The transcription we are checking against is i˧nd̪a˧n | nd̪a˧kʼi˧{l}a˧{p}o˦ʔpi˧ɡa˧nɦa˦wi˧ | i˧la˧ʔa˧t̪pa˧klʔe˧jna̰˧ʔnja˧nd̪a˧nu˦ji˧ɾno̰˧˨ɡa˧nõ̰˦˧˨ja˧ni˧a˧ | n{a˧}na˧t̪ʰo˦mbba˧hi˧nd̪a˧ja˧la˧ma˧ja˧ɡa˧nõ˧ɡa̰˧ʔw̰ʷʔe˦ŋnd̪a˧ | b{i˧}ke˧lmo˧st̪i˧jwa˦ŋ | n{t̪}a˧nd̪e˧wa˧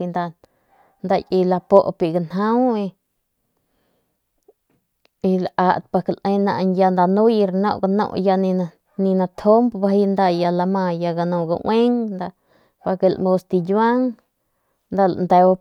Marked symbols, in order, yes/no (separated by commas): yes, yes, no, no, no